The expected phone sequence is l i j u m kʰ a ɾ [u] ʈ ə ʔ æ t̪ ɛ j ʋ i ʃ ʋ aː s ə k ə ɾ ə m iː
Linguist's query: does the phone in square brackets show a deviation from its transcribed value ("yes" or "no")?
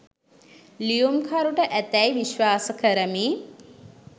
no